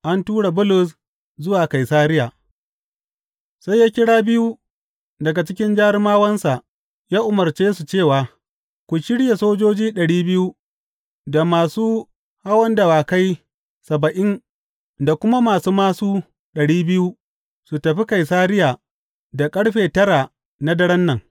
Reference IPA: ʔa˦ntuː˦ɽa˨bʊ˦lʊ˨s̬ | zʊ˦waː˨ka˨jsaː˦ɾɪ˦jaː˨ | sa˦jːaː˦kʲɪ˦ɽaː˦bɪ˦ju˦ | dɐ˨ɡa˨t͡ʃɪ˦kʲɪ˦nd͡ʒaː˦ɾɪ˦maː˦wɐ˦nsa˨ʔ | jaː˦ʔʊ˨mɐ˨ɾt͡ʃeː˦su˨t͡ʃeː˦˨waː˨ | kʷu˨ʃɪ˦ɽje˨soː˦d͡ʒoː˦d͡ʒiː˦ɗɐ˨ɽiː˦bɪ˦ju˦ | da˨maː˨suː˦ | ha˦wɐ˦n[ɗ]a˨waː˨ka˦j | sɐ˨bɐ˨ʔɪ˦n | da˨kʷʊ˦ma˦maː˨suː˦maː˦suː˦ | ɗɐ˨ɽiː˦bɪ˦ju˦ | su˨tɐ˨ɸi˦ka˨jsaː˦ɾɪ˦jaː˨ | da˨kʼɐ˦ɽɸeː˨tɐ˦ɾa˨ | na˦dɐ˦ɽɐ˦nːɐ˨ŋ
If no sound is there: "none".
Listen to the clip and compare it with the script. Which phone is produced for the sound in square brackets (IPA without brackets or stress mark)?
d